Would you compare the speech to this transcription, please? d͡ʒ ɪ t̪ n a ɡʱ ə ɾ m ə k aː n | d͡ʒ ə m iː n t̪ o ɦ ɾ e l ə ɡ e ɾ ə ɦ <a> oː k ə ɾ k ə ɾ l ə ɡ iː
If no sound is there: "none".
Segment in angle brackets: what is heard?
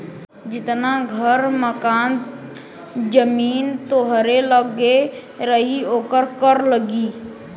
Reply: i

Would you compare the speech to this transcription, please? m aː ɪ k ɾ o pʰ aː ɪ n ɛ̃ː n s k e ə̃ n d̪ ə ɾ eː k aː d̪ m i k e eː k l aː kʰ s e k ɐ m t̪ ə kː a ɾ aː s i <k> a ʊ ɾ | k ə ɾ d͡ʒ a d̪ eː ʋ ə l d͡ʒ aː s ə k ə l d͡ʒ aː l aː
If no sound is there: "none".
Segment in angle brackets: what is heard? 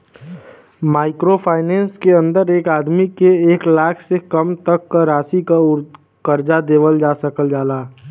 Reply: k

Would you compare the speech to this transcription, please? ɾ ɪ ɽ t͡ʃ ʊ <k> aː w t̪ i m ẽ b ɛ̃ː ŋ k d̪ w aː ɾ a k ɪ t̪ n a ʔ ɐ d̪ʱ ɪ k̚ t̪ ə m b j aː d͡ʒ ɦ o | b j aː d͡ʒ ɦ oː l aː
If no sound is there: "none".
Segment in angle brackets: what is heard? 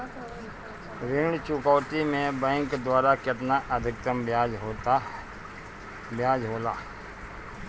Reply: k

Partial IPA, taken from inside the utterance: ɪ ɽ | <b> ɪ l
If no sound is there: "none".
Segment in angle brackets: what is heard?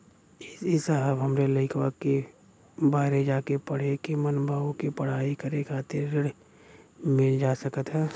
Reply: m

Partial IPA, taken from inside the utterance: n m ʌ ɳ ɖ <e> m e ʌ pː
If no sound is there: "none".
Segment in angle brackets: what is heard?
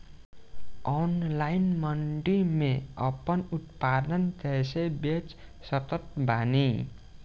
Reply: i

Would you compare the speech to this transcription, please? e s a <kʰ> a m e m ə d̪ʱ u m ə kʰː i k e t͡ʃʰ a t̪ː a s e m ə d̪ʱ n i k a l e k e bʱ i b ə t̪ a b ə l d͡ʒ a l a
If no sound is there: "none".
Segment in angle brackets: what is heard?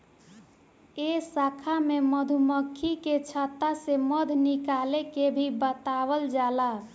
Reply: kʰ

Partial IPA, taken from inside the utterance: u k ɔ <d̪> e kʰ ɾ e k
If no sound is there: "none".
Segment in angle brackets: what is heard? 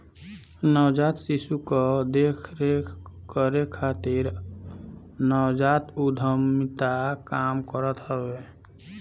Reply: d̪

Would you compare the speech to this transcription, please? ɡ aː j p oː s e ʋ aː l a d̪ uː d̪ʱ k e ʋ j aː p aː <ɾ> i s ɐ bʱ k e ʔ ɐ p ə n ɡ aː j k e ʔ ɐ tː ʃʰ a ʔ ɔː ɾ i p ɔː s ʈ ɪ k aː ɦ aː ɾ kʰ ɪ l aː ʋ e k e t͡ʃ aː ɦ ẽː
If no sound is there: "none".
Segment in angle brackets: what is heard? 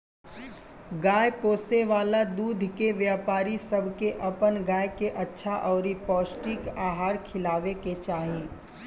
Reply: ɾ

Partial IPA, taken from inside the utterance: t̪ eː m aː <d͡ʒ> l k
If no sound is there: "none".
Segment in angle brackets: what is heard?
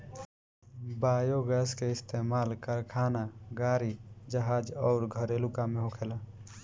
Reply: none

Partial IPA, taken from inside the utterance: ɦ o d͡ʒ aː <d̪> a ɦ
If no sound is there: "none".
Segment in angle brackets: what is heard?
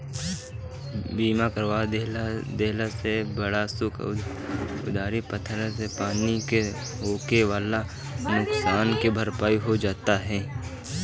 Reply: t̪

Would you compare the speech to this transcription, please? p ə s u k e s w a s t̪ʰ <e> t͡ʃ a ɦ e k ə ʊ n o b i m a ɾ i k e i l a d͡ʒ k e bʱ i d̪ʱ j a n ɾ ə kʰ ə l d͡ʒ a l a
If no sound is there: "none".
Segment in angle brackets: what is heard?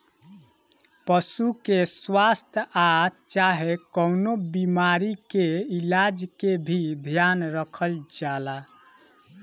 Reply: a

